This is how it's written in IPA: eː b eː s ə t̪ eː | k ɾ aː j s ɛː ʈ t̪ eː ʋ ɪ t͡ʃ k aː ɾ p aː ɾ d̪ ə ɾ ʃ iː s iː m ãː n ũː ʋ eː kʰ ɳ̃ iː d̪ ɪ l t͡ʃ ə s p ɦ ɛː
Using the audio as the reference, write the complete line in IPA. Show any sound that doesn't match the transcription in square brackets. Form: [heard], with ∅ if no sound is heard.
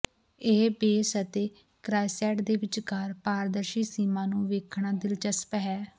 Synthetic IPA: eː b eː s ə t̪ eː | k ɾ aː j s ɛː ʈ [d̪] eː ʋ ɪ t͡ʃ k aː ɾ p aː ɾ d̪ ə ɾ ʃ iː s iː m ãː n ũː ʋ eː kʰ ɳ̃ [aː] d̪ ɪ l t͡ʃ ə s p ɦ ɛː

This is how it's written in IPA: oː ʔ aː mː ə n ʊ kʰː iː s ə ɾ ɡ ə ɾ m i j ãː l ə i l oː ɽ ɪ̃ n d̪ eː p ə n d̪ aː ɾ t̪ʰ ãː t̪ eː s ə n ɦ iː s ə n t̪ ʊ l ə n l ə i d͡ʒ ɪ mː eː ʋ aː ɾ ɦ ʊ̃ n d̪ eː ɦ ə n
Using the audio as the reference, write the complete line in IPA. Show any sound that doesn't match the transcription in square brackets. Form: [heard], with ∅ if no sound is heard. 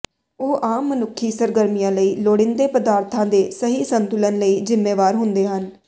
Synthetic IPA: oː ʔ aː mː ə n ʊ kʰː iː s ə ɾ ɡ ə ɾ m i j ãː l ə [iː] l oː ɽ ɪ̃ n d̪ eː p ə [∅] d̪ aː ɾ t̪ʰ ãː [d̪] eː s ə [∅] ɦ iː s ə n t̪ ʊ l ə n l ə [iː] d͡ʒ ɪ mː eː ʋ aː ɾ ɦ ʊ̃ n d̪ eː ɦ ə n

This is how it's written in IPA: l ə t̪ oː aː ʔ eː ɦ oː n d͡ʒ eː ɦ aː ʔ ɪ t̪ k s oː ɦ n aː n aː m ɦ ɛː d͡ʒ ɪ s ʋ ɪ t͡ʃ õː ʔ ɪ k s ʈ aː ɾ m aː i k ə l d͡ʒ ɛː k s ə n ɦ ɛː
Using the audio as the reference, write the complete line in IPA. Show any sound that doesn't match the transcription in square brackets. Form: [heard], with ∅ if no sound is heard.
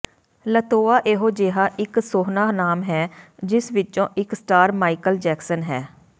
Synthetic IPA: l ə t̪ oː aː ʔ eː ɦ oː [∅] d͡ʒ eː ɦ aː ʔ ɪ [∅] k s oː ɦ n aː n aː m ɦ ɛː d͡ʒ ɪ s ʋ ɪ t͡ʃ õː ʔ ɪ k s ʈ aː ɾ m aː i k ə l d͡ʒ ɛː k s ə n ɦ ɛː

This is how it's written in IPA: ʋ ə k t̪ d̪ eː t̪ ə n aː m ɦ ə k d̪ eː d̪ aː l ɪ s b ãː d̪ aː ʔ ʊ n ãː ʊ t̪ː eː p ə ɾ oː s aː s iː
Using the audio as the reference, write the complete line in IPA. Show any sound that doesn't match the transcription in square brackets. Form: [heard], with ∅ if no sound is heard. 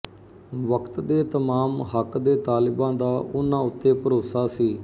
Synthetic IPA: ʋ ə k t̪ d̪ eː t̪ ə [m] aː m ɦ ə k d̪ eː [t̪] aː l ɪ [∅] b ãː d̪ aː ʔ ʊ n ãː ʊ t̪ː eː p ə ɾ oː s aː s iː

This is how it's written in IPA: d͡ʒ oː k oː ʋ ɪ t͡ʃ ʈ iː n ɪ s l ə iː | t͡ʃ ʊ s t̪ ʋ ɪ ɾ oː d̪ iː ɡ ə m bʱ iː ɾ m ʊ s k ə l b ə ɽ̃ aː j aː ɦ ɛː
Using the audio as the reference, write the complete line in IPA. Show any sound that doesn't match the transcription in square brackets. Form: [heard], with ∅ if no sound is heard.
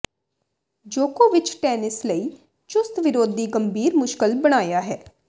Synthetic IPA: d͡ʒ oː k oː ʋ ɪ t͡ʃ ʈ [ɛː] n ɪ s l ə iː | t͡ʃ ʊ s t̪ ʋ ɪ ɾ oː d̪ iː ɡ ə m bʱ iː ɾ m ʊ [ʃ] k ə l b ə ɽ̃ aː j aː ɦ ɛː

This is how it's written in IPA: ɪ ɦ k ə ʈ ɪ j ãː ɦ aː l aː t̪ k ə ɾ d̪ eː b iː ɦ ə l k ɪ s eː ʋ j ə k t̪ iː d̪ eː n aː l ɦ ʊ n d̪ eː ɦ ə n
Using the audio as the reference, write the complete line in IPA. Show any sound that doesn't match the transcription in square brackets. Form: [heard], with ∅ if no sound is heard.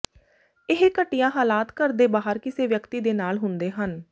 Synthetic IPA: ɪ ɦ k ə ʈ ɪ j ãː ɦ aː l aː t̪ k ə ɾ d̪ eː b [aː] ɦ ə [ɾ] k ɪ s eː ʋ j ə k t̪ iː d̪ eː n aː l ɦ ʊ n d̪ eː ɦ ə n

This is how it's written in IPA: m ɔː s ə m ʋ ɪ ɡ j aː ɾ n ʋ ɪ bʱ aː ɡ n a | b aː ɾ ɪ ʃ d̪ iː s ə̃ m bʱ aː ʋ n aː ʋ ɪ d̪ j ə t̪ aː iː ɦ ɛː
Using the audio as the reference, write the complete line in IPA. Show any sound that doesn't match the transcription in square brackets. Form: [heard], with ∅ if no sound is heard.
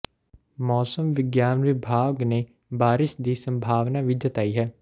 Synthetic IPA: m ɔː s ə m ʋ ɪ ɡ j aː [∅] n ʋ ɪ bʱ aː ɡ n [e] | b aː ɾ ɪ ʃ d̪ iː s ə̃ m bʱ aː ʋ n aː ʋ ɪ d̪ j ə t̪ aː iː ɦ ɛː

